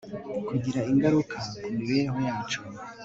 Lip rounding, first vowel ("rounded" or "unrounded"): rounded